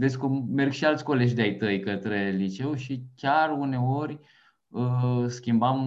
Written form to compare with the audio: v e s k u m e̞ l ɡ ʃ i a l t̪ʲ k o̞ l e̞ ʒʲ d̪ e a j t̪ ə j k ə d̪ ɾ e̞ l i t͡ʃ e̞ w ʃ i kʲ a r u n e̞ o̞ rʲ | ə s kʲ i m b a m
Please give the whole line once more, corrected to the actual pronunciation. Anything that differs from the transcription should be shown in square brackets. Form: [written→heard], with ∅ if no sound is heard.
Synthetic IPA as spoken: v e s k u m e̞ [l→r] ɡ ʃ i a l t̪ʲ k o̞ l e̞ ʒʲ d̪ e a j t̪ ə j k ə [d̪→t̪] ɾ e̞ l i t͡ʃ e̞ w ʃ i kʲ a r u n e̞ o̞ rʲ | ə s kʲ i m b a m